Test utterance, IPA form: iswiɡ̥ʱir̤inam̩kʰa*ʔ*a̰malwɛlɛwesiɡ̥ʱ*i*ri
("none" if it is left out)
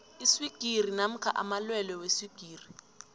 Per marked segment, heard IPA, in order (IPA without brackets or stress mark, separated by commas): ʔ, iː